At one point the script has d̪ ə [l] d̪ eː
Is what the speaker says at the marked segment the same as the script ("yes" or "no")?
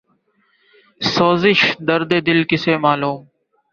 no